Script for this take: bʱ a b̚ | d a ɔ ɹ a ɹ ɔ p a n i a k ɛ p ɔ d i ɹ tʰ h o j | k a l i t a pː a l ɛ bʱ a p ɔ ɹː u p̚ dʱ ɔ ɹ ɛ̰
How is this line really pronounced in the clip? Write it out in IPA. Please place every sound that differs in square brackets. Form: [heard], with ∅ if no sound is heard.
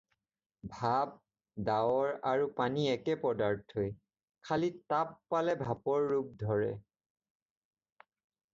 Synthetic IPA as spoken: bʱ a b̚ | d a ɔ ɹ a ɹ [u] p a n i [ɛ] k ɛ p ɔ d [a] ɹ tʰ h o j | [kʰ] a l i t a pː a l ɛ bʱ a p ɔ ɹː u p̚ dʱ ɔ ɹ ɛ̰